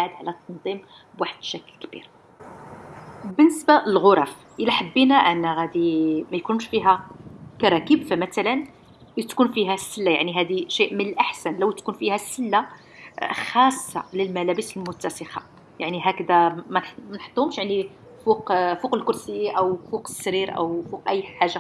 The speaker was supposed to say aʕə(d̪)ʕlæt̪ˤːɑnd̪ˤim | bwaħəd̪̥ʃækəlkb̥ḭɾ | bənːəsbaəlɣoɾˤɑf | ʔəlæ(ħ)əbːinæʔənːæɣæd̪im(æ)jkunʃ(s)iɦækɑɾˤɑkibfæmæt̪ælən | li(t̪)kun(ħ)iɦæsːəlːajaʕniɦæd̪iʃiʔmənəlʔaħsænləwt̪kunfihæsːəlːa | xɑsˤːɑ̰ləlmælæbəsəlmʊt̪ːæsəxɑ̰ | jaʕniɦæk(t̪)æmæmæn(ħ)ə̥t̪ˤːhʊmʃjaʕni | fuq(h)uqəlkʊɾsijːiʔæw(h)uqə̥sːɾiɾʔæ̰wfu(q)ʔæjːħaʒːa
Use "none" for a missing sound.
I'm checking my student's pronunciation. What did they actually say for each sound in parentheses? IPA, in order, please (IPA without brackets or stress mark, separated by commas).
d̪, ħ, æ, f, t̪, f, d̪, ħ, f, f, q